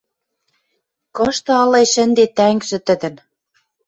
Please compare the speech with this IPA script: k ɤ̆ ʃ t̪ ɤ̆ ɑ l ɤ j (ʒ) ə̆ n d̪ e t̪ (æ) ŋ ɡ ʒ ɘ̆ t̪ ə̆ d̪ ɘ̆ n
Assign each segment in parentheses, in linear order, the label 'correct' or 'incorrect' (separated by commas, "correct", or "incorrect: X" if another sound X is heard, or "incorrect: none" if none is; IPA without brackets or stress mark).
incorrect: ʃ, correct